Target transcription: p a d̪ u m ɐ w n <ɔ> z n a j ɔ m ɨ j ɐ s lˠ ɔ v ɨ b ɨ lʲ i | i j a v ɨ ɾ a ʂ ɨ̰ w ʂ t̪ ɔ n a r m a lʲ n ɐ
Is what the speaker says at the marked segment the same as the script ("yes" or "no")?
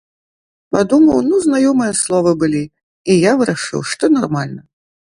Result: no